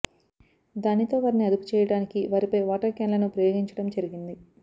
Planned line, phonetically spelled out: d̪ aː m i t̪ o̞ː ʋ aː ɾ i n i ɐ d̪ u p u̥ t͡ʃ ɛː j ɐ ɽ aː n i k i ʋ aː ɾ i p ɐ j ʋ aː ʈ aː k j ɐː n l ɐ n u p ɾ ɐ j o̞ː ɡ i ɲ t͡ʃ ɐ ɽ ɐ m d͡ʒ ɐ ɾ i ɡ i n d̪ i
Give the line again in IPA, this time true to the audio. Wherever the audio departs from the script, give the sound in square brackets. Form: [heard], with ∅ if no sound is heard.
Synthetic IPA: d̪ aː [n] i t̪ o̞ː ʋ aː ɾ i n i ɐ d̪ u p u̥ t͡ʃ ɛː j ɐ ɽ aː n i k i ʋ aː ɾ i p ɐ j ʋ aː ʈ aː k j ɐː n l ɐ n u p ɾ ɐ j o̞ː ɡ i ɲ t͡ʃ ɐ ɽ ɐ m d͡ʒ ɐ ɾ i ɡ i n d̪ i